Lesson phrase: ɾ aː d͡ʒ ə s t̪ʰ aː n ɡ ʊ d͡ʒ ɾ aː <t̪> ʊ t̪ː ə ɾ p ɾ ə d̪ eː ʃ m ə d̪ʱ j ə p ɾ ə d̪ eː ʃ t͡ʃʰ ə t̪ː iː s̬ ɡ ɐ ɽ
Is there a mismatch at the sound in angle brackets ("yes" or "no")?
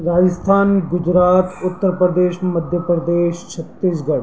no